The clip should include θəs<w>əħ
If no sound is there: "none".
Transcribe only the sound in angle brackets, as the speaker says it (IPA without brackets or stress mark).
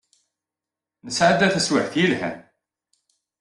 w